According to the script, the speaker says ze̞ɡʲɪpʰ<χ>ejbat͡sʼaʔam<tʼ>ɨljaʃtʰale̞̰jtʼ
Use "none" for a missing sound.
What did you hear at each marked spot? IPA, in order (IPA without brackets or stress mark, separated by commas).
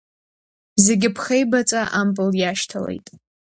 χ, pʼ